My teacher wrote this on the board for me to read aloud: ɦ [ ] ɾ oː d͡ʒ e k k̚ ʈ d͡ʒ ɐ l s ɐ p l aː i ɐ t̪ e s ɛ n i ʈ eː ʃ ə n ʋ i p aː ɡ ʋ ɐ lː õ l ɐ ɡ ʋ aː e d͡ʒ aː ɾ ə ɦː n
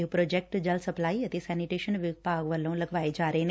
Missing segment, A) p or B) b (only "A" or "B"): A